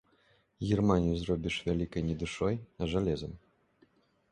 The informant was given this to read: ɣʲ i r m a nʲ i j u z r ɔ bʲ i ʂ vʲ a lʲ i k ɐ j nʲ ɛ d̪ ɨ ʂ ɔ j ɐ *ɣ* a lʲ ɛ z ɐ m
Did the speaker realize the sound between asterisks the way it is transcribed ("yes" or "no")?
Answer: no